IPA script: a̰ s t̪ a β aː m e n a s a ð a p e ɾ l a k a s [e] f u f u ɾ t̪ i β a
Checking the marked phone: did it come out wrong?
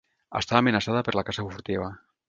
yes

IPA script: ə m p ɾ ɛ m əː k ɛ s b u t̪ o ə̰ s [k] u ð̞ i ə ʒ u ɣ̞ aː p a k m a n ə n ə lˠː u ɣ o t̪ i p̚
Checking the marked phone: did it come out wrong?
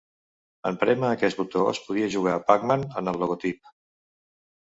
yes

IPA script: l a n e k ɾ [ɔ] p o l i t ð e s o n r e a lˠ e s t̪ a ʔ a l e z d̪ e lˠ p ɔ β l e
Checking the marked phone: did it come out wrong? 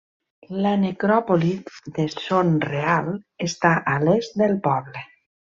no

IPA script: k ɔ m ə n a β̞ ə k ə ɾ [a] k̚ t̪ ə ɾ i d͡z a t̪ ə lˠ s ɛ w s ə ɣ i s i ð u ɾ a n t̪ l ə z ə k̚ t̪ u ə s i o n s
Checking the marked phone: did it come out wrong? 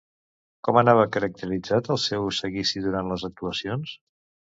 yes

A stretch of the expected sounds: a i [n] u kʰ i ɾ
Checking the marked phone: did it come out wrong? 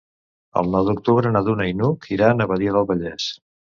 no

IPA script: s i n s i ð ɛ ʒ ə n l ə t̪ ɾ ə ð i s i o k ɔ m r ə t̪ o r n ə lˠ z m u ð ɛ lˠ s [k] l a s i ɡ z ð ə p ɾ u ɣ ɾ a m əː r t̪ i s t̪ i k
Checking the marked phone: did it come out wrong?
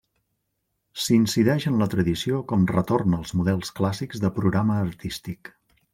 no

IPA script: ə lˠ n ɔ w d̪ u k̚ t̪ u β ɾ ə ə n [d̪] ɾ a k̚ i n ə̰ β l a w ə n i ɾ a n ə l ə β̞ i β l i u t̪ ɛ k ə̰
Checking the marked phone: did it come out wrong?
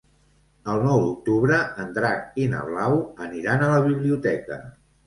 no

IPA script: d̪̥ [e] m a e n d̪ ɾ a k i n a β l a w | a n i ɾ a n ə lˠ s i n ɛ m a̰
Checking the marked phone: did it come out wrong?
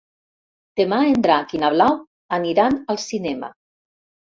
no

